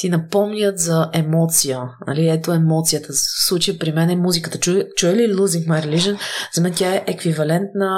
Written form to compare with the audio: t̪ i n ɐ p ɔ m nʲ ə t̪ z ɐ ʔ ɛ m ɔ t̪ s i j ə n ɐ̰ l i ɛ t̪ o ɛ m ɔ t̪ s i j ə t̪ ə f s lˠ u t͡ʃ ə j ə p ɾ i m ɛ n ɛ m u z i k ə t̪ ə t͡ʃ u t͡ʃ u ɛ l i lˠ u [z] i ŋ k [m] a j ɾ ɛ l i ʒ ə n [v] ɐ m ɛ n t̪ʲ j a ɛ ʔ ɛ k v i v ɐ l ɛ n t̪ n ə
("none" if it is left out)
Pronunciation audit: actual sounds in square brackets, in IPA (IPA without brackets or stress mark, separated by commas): z, m, z